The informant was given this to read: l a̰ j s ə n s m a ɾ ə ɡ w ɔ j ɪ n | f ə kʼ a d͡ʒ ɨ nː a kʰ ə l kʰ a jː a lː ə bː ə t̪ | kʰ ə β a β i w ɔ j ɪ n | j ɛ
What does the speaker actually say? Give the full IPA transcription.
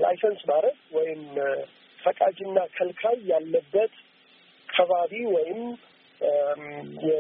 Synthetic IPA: l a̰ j s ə n s m a ɾ ə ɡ w ɔ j ɪ m | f ə kʼ a d͡ʒ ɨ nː a kʰ ə l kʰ a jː a lː ə bː ə t̪ | kʰ ə β a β i w ɔ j ɪ m | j ɛ